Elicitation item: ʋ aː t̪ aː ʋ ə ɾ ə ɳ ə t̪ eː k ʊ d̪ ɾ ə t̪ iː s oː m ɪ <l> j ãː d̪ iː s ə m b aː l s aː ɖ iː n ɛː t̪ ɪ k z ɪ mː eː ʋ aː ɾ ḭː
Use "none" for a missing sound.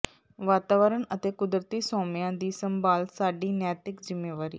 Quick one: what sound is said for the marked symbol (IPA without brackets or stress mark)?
none